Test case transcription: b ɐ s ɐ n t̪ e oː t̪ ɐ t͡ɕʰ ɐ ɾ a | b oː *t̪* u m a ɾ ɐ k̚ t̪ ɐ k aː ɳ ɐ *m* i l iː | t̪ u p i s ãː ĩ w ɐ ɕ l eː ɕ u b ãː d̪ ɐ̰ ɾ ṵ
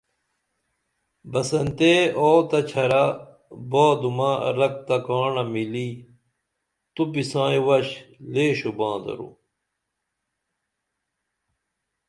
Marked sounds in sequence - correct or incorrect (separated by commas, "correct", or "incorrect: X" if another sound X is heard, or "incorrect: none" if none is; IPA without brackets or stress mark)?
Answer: incorrect: d̪, correct